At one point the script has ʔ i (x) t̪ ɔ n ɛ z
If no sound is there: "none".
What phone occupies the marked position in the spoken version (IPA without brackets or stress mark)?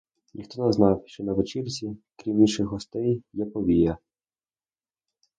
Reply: x